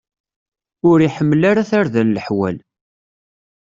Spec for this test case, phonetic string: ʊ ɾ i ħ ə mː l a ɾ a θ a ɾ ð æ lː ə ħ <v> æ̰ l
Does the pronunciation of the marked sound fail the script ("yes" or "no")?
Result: yes